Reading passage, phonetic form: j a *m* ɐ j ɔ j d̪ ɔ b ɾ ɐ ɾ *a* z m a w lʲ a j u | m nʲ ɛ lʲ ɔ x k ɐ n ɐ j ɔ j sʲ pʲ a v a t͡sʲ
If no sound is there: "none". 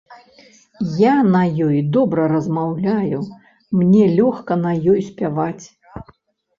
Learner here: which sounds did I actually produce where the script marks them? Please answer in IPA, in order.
n, ɐ

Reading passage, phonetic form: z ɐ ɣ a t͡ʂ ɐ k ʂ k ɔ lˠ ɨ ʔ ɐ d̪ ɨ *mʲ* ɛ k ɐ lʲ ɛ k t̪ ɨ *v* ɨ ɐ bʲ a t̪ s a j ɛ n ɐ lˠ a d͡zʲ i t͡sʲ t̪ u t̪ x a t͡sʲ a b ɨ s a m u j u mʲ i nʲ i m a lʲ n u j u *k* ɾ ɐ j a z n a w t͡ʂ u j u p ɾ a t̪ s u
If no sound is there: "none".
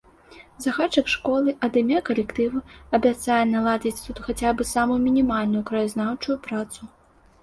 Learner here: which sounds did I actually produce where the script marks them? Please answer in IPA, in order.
mʲ, v, k

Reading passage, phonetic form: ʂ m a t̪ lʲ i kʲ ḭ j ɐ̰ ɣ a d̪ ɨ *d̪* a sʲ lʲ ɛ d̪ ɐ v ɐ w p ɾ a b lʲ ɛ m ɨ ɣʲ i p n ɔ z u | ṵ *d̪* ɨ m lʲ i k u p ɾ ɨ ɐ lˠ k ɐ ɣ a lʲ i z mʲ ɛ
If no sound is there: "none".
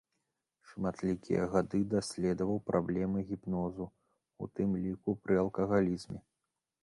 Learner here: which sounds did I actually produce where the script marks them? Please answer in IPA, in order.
d̪, t̪

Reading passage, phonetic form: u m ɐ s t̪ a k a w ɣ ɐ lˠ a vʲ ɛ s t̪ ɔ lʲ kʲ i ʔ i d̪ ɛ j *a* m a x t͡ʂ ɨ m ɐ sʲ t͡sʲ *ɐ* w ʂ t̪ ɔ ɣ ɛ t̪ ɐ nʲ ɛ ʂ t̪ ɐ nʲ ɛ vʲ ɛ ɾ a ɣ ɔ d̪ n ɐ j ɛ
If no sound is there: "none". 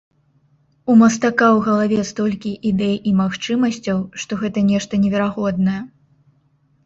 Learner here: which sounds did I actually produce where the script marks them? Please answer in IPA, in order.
i, ɐ

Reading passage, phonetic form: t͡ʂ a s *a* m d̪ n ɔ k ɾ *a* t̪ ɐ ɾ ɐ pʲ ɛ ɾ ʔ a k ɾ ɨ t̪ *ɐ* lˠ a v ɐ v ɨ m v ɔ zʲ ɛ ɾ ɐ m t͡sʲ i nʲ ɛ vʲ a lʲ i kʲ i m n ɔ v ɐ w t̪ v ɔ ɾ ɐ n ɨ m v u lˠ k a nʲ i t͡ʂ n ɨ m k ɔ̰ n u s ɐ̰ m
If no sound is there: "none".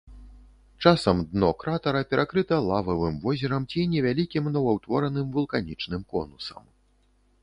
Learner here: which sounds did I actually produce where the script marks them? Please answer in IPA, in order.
ɐ, a, ɐ

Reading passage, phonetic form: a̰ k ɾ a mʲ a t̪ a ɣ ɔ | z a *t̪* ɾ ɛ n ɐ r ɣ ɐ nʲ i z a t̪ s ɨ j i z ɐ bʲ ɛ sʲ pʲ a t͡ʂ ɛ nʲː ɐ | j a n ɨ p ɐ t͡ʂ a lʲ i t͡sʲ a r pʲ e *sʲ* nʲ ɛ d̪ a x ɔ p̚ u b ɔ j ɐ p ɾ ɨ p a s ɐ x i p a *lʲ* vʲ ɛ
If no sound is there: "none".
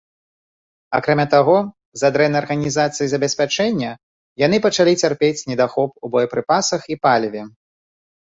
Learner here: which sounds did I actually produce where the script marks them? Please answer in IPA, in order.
d̪, t͡sʲ, lʲ

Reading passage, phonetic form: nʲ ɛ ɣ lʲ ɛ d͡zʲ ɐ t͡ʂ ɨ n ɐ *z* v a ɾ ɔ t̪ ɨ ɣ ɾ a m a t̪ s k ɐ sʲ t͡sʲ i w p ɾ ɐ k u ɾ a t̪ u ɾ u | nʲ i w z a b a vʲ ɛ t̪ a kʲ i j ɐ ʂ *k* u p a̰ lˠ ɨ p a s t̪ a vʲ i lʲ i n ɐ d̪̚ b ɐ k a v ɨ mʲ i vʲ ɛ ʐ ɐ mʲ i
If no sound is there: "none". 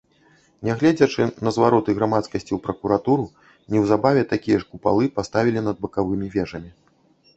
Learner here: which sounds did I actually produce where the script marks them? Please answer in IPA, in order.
z, k

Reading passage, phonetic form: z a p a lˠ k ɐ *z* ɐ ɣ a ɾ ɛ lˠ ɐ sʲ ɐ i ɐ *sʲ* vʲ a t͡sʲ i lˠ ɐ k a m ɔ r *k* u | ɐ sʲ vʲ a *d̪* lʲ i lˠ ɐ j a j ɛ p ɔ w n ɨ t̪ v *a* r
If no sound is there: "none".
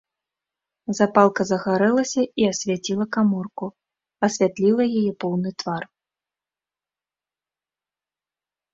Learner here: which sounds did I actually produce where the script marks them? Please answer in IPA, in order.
z, sʲ, k, t̪, a

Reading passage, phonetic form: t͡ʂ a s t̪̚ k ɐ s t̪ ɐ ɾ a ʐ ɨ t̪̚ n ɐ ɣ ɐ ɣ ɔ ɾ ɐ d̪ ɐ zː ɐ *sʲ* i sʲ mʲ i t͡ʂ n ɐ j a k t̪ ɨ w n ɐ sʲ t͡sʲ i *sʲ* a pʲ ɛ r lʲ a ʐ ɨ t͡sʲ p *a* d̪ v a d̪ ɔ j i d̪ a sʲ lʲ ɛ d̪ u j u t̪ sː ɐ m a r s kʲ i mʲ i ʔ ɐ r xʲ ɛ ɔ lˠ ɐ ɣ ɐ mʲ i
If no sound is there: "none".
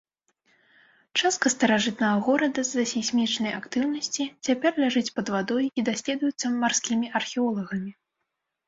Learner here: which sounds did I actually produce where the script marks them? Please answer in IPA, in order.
sʲ, t͡sʲ, ɐ

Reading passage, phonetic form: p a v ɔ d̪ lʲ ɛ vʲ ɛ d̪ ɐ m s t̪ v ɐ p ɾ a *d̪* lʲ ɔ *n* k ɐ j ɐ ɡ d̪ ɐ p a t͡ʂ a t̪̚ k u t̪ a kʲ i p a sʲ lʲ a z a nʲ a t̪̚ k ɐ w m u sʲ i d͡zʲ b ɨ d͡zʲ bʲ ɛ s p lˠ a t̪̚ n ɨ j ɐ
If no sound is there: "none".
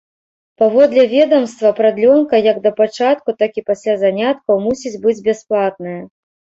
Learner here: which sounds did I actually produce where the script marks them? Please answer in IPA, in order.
d̪, n

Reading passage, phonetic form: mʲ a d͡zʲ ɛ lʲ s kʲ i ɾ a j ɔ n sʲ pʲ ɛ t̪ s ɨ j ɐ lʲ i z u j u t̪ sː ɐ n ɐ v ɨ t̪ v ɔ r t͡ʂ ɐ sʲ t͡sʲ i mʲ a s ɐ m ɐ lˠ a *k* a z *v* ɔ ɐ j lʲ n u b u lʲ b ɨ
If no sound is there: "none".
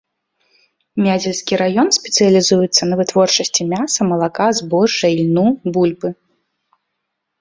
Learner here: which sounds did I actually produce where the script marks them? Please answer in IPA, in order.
k, b

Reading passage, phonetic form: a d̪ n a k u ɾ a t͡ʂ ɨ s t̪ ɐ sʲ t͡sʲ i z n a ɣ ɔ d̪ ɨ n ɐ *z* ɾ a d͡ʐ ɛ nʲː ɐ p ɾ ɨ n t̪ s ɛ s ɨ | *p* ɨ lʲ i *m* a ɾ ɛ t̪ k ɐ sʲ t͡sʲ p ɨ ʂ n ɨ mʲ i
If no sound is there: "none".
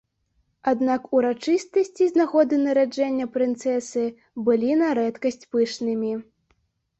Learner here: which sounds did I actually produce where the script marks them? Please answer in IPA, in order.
none, b, n

